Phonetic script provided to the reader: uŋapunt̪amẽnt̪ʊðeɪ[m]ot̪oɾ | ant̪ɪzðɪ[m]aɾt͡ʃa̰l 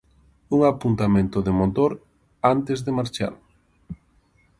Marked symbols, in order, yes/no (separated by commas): yes, yes